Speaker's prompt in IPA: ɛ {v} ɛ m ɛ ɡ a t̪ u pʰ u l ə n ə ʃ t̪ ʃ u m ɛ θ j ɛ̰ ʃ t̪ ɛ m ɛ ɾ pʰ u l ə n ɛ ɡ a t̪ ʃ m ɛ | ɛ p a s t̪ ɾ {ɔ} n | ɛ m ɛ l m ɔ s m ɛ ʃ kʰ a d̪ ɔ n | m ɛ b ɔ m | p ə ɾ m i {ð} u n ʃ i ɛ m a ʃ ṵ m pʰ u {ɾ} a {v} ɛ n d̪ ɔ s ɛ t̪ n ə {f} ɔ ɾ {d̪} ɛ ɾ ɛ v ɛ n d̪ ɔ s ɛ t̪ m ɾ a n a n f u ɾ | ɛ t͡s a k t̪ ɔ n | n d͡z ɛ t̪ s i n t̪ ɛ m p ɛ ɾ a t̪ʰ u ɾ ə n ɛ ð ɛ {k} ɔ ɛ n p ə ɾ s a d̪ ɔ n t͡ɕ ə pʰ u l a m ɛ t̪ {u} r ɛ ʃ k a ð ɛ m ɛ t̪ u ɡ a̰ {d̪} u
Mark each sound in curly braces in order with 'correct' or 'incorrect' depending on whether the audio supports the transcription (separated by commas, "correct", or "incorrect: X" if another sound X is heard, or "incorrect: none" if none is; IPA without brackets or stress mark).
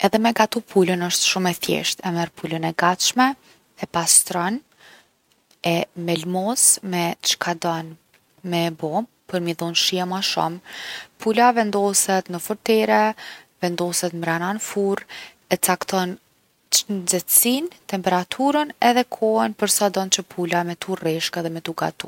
incorrect: ð, correct, correct, incorrect: l, correct, correct, incorrect: t̪, incorrect: kʰ, correct, incorrect: t̪